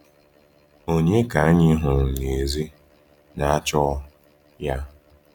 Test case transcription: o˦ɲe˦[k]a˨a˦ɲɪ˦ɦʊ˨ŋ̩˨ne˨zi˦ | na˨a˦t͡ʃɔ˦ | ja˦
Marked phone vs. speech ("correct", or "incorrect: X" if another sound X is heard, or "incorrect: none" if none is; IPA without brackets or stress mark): correct